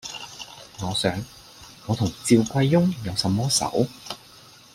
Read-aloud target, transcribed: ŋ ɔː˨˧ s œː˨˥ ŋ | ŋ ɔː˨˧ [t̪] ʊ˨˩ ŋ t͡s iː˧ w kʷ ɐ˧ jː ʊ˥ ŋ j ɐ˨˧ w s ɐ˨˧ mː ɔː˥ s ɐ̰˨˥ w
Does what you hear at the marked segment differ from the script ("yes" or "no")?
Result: yes